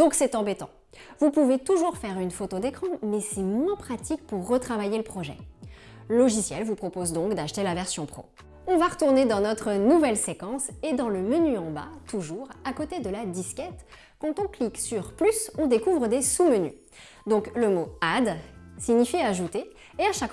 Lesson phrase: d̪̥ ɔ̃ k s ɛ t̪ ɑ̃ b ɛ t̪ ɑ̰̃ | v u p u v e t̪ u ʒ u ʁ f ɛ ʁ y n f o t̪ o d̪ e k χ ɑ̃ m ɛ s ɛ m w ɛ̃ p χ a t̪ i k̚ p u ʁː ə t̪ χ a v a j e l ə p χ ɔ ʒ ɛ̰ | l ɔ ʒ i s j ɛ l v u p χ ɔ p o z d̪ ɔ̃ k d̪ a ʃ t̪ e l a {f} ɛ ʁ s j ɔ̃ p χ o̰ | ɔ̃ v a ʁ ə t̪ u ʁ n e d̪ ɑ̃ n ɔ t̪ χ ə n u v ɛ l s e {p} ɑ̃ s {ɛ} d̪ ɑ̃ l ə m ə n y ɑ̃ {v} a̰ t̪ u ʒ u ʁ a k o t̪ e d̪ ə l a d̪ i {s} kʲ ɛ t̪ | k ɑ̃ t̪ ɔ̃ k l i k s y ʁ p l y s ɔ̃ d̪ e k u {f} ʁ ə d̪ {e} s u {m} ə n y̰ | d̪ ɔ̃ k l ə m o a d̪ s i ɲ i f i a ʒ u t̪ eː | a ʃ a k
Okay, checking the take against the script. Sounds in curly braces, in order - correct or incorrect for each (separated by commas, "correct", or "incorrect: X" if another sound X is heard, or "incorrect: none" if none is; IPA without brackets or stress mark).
incorrect: v, incorrect: k, incorrect: e, incorrect: b, correct, incorrect: v, correct, correct